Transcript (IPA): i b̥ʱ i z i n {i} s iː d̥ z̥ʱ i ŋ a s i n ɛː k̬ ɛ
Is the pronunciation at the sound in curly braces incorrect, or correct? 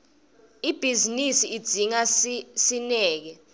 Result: correct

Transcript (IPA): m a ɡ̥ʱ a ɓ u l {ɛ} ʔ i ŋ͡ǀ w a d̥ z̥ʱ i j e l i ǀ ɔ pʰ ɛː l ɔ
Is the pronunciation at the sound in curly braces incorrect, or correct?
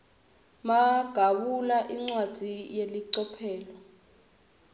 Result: incorrect: a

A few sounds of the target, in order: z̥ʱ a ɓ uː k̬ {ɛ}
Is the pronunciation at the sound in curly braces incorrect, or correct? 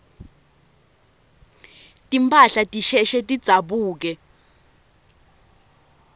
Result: correct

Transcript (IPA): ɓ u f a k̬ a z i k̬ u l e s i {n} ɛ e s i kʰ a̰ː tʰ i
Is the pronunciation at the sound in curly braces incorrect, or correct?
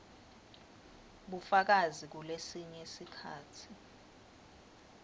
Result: incorrect: ɲ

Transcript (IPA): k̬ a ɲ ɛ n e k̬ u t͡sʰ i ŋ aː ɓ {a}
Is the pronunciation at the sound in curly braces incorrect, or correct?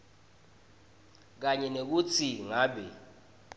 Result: incorrect: ɛ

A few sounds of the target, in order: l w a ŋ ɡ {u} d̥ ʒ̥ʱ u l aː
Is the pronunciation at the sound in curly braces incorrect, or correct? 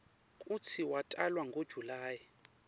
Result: incorrect: o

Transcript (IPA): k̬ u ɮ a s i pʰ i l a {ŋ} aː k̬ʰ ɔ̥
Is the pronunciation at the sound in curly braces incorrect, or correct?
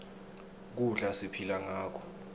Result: correct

